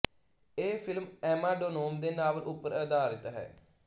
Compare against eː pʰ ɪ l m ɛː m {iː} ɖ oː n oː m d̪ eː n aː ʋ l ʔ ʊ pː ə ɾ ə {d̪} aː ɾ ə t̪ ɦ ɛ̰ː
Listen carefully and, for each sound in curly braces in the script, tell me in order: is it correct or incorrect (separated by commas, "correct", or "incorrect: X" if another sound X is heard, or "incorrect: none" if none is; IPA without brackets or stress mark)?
incorrect: aː, correct